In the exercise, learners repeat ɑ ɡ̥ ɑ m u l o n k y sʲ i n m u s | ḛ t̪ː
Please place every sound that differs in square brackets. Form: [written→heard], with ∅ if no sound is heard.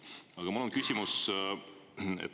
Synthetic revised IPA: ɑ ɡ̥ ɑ m u l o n k y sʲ i [n→∅] m u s | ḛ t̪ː